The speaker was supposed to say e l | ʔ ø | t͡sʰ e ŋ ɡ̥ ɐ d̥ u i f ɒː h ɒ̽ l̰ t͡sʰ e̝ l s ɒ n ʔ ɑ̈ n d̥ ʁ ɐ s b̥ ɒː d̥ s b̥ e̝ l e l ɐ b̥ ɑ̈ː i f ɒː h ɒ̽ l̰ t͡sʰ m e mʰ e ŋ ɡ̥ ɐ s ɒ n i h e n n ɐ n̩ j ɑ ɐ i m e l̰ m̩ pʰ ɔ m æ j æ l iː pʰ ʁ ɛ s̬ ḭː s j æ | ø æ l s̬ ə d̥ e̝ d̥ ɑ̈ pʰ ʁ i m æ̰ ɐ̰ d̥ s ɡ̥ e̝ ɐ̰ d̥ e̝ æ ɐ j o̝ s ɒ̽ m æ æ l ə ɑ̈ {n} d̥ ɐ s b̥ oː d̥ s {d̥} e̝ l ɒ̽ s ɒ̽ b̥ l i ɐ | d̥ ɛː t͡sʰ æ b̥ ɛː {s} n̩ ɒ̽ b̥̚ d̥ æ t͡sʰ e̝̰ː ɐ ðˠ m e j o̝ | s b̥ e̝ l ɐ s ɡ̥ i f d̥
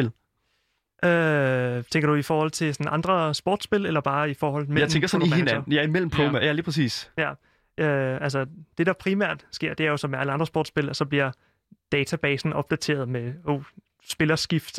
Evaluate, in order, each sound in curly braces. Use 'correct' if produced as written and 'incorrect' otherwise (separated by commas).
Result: correct, incorrect, correct